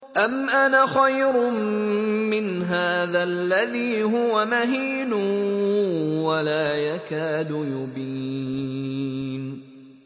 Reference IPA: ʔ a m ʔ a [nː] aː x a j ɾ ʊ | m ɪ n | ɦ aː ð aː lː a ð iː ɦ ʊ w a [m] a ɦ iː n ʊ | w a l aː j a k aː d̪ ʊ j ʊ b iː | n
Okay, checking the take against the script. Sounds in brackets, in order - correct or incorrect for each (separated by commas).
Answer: incorrect, correct